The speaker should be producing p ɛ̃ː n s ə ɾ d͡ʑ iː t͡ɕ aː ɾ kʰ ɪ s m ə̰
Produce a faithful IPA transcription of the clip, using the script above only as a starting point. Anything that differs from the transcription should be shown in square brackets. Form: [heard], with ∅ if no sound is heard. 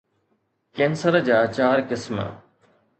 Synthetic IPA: [k] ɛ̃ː n s ə ɾ d͡ʑ [aː] t͡ɕ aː ɾ [k] ɪ s m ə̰